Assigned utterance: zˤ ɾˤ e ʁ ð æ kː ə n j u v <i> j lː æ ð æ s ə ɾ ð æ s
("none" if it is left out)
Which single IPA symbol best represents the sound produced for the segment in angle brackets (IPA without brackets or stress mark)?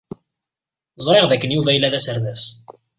æ